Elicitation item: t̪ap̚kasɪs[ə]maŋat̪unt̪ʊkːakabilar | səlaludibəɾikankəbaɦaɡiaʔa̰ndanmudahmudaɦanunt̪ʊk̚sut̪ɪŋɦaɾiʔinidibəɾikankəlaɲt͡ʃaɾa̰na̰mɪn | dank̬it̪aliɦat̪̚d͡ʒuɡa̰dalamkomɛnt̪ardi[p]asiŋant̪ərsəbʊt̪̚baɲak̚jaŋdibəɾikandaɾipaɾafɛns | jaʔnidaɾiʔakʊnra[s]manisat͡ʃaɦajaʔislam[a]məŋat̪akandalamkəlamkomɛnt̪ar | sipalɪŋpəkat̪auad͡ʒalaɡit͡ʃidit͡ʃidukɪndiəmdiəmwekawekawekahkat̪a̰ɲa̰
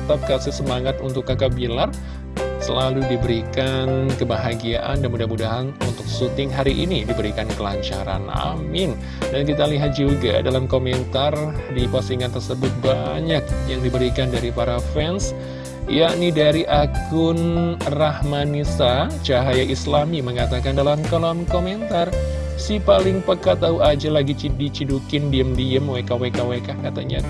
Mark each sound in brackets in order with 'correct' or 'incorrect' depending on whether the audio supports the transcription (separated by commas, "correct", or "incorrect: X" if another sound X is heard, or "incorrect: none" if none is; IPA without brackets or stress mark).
correct, correct, incorrect: h, incorrect: i